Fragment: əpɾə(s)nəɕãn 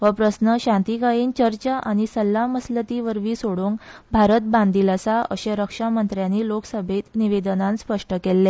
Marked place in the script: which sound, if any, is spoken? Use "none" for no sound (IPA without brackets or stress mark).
s